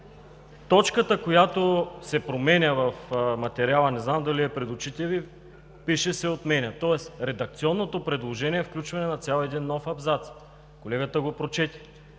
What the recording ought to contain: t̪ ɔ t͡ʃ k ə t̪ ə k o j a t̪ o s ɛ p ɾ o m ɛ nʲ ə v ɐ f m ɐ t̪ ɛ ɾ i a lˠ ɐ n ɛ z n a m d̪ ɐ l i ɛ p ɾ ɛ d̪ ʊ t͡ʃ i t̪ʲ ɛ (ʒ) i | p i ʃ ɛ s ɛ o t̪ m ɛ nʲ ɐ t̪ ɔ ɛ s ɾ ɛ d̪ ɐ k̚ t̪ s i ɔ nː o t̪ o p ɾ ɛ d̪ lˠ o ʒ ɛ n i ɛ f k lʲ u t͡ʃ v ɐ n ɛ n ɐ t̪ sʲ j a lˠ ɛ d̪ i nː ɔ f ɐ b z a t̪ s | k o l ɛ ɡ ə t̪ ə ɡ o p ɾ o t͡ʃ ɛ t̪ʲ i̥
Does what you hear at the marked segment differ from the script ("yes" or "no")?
yes